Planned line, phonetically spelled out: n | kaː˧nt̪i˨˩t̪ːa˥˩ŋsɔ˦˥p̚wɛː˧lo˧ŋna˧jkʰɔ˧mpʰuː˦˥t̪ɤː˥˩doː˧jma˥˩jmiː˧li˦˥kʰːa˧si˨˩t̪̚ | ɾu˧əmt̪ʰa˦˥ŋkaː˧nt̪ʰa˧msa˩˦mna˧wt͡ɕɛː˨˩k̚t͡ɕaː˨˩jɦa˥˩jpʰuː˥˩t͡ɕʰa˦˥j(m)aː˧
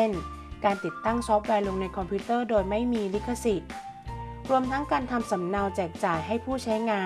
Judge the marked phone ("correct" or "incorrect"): incorrect